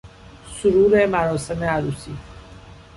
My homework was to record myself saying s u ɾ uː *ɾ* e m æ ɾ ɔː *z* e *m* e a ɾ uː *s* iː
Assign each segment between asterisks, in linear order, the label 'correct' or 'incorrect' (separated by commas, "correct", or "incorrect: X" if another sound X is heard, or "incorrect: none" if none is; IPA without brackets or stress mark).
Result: correct, incorrect: s, correct, correct